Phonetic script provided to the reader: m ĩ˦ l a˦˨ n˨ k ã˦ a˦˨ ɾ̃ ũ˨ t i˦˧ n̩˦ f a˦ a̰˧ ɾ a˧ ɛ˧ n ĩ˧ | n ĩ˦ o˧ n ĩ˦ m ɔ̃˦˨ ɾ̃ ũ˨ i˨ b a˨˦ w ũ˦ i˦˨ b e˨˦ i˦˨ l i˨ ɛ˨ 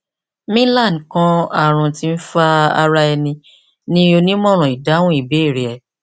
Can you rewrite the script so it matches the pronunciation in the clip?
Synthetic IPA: m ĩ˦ l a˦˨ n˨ k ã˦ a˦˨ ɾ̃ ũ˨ t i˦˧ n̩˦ f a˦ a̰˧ ɾ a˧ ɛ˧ n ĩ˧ | n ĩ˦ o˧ n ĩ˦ m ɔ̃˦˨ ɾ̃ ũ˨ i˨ d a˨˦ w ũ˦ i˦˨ b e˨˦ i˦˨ ɾ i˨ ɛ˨